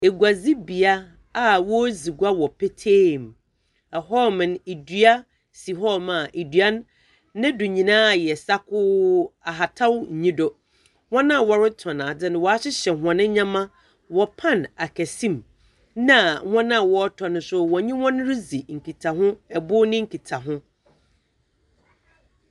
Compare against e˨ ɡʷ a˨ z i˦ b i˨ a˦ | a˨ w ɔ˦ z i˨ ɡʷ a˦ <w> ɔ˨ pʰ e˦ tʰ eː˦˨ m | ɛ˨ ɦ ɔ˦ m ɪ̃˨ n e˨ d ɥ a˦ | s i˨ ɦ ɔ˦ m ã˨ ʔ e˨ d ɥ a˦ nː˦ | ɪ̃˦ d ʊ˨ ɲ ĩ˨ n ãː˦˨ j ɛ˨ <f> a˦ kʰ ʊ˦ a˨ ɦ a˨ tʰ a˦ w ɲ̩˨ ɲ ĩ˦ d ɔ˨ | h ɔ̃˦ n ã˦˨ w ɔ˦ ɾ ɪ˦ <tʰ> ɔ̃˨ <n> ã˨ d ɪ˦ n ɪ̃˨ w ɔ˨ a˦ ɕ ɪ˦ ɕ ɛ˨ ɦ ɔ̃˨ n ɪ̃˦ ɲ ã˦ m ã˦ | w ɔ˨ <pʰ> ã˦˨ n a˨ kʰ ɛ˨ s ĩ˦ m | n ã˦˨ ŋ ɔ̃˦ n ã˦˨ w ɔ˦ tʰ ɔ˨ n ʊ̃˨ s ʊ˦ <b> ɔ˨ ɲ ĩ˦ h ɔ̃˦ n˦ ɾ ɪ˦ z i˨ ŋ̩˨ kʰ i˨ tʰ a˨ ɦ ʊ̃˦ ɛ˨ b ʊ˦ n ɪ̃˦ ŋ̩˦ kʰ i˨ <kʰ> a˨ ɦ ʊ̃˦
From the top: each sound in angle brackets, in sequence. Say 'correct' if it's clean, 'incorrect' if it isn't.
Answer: correct, incorrect: s, correct, correct, correct, incorrect: w, incorrect: tʰ

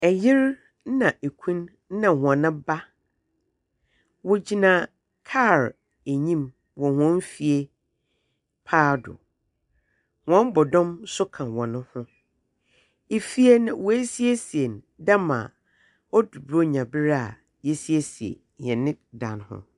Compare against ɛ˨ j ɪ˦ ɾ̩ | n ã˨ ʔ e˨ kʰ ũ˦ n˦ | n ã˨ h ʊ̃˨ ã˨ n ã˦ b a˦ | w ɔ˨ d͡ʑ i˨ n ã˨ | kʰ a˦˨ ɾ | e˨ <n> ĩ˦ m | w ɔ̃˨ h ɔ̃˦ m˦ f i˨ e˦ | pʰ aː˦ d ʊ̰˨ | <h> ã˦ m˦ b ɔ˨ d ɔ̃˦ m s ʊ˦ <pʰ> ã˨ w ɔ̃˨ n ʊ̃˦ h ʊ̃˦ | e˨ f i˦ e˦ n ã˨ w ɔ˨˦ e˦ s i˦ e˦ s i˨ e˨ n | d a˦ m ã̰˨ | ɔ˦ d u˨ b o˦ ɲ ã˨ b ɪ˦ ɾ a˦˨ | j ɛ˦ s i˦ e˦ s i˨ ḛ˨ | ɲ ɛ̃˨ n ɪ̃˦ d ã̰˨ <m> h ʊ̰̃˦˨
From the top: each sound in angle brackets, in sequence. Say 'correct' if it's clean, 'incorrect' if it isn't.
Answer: incorrect: ɲ, correct, incorrect: kʰ, incorrect: n

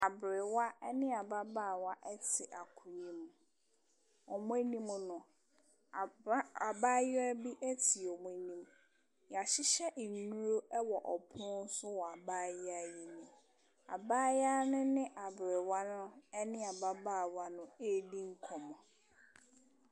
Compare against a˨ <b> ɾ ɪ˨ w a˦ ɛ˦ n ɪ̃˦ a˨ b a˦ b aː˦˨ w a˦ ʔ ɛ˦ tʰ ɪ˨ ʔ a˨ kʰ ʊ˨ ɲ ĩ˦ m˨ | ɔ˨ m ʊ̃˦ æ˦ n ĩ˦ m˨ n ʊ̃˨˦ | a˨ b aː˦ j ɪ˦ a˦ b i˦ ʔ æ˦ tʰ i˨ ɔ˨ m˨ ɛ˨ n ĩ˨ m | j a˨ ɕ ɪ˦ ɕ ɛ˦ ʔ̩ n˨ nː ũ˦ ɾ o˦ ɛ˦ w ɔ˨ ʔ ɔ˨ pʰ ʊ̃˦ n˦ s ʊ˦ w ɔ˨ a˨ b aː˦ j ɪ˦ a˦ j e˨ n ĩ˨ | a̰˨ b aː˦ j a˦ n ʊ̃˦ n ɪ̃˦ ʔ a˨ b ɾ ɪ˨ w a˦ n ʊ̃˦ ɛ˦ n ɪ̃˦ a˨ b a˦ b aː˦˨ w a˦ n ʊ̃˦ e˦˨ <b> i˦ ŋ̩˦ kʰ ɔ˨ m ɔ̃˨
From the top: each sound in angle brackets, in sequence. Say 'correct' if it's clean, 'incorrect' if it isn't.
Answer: correct, incorrect: d

